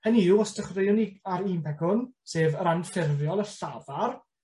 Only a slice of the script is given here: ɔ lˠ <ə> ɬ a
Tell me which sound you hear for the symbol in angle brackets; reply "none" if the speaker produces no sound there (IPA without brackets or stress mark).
ə